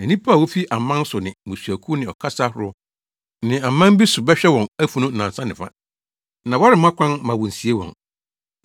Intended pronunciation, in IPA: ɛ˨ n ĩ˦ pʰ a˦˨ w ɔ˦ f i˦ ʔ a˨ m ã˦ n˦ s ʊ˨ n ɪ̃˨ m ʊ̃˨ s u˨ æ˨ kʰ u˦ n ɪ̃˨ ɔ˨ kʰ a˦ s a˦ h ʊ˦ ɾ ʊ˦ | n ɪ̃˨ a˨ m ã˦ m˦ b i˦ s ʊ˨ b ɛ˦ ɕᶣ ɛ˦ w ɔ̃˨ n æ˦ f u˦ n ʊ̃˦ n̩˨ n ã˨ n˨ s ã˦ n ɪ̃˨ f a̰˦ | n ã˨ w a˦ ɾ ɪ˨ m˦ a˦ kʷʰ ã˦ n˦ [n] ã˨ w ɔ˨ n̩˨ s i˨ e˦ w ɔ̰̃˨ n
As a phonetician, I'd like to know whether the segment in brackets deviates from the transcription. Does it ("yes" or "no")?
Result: yes